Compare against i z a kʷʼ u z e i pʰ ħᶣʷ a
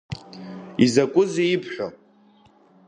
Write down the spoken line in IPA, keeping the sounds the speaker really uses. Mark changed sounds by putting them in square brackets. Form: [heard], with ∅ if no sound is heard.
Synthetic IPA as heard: i z a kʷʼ [ʊ] z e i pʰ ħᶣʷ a